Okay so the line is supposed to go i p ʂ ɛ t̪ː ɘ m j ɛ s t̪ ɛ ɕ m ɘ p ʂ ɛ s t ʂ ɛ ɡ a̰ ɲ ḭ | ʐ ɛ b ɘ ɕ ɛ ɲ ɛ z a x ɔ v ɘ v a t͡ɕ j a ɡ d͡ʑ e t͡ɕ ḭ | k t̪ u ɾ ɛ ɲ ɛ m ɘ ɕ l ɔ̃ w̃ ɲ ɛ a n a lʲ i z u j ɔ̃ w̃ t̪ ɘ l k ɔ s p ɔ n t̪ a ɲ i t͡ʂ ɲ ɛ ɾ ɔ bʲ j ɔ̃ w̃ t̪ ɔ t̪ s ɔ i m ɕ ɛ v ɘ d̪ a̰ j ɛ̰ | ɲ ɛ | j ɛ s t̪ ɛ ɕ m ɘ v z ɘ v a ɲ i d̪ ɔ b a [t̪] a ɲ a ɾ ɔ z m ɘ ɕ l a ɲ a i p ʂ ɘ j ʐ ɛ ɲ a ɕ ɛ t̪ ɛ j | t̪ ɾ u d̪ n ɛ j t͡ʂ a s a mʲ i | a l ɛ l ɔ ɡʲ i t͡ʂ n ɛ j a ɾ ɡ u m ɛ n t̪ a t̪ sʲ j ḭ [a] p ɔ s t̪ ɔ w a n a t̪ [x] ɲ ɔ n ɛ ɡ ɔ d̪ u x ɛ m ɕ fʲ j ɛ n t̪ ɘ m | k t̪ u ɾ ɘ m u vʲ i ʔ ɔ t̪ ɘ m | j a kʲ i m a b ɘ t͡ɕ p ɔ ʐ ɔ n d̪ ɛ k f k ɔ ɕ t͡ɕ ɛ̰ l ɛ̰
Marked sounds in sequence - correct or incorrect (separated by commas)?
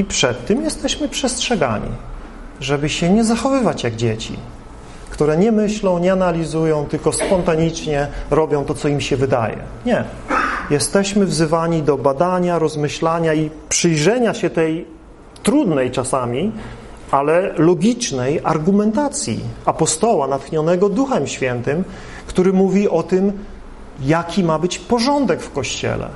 incorrect, correct, correct